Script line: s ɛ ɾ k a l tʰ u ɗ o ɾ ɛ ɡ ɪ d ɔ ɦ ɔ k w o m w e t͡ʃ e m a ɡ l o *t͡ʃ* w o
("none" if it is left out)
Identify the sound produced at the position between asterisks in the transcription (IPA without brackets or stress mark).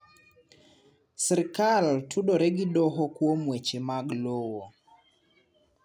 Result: none